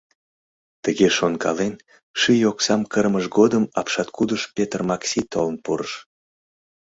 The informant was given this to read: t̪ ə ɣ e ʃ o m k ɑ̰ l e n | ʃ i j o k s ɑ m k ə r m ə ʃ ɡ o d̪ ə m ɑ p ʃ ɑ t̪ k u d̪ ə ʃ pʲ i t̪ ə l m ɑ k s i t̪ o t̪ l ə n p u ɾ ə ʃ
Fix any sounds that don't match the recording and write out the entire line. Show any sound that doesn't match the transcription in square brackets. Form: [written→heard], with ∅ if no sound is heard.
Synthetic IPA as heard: t̪ ə ɣ e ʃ o [m→n] k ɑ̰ l e n | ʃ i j o k s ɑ m k ə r m ə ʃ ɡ o d̪ ə m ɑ p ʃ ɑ t̪ k u d̪ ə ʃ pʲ [i→e] t̪ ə [l→r] m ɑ k s i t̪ o [t̪→∅] l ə n p u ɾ ə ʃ